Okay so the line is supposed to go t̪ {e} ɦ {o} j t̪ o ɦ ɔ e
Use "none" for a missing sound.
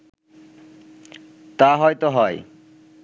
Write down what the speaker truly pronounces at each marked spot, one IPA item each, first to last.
a, ɔ

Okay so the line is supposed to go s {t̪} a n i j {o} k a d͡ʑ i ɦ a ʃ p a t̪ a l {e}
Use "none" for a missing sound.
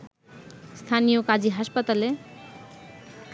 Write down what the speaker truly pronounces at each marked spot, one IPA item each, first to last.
t̪ʰ, o, e

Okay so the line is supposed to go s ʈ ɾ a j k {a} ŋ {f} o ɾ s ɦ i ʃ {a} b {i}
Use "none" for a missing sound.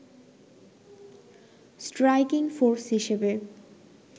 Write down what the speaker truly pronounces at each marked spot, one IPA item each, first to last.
i, f, e, e

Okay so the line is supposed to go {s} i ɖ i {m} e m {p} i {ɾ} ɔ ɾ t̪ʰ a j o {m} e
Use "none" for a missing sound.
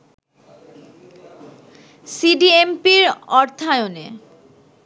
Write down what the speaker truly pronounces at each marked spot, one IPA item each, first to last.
s, none, p, ɾ, n

